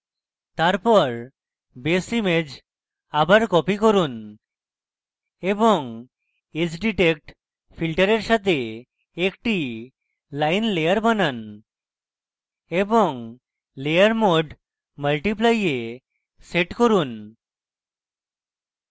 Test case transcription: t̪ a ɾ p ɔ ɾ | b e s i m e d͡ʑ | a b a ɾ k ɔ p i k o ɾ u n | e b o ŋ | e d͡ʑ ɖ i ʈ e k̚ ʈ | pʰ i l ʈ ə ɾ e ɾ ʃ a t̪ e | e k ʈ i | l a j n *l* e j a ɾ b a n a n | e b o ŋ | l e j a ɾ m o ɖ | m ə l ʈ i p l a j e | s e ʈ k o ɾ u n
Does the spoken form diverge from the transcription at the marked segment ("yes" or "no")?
no